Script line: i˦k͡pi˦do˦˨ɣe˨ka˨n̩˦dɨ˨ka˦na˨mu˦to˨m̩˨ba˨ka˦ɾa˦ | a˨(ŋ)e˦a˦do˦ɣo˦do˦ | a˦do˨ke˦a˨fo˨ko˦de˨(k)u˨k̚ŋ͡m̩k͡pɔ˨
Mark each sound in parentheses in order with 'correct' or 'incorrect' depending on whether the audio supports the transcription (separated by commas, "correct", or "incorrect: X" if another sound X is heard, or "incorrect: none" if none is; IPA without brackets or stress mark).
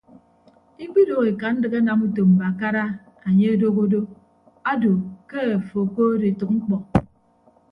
incorrect: ɲ, incorrect: t